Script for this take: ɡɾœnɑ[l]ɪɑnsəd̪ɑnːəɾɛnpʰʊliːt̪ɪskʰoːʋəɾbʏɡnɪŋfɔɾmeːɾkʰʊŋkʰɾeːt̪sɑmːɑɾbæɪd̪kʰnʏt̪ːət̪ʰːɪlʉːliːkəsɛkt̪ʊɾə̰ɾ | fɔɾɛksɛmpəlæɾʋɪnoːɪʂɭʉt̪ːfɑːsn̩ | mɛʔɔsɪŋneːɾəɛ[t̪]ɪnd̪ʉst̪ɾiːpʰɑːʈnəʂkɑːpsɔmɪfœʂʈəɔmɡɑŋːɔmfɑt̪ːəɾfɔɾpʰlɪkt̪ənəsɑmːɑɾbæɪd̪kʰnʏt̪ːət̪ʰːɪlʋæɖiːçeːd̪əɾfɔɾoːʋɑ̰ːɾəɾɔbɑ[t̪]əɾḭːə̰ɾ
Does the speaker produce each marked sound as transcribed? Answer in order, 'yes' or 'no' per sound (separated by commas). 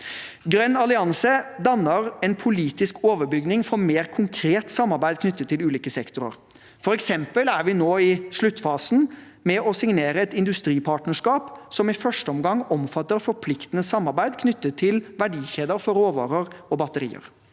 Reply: yes, yes, yes